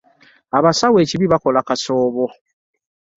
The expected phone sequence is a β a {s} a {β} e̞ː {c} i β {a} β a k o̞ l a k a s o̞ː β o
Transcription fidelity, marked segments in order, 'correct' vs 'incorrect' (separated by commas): correct, incorrect, correct, incorrect